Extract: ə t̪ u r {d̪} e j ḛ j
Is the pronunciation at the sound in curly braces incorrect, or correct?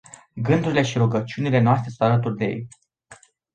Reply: correct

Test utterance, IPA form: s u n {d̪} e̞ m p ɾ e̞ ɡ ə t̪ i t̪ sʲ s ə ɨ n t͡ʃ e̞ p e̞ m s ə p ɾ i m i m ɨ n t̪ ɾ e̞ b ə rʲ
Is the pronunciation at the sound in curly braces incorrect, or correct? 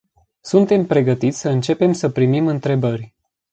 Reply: incorrect: t̪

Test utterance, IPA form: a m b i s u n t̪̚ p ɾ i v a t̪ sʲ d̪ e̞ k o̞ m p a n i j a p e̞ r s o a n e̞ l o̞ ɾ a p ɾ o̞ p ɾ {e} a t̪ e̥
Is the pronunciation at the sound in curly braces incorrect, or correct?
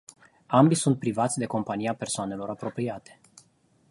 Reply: incorrect: i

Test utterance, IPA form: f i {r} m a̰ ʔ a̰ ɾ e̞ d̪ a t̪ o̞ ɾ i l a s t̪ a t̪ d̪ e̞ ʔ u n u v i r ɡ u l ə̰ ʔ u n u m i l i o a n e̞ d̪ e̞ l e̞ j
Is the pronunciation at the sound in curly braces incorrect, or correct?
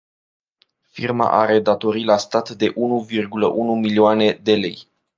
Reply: correct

